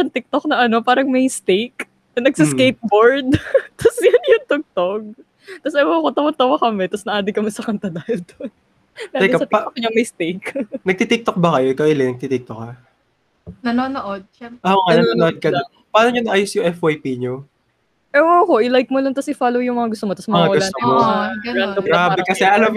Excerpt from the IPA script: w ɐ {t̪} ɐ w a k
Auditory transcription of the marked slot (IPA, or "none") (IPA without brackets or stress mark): t̪